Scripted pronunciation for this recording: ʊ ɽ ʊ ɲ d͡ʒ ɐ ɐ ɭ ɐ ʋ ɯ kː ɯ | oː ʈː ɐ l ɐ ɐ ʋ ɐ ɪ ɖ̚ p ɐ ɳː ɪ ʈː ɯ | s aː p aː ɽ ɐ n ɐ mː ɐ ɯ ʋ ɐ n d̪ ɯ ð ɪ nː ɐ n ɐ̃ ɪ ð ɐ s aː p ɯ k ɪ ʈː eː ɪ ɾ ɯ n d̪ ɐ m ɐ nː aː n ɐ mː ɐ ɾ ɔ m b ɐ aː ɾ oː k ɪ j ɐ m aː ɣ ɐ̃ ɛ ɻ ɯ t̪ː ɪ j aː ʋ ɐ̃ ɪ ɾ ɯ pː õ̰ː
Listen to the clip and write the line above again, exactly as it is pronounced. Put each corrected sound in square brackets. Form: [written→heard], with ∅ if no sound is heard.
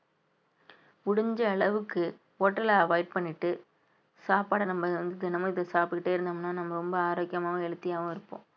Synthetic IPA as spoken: ʊ ɽ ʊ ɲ d͡ʒ ɐ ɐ ɭ ɐ ʋ ɯ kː ɯ | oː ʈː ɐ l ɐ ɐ ʋ ɐ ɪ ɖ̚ p ɐ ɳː ɪ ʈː ɯ | s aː p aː ɽ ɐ n ɐ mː ɐ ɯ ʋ ɐ n d̪ ɯ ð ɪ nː ɐ [n→m] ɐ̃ ɪ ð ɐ s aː p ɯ k ɪ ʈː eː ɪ ɾ ɯ n d̪ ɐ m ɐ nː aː n ɐ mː ɐ ɾ ɔ m b ɐ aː ɾ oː k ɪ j ɐ m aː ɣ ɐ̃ ɛ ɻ ɯ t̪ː ɪ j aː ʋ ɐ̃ ɪ ɾ ɯ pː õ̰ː